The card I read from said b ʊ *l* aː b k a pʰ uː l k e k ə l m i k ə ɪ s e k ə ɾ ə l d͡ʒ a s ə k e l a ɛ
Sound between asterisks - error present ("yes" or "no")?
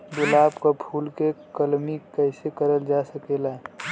no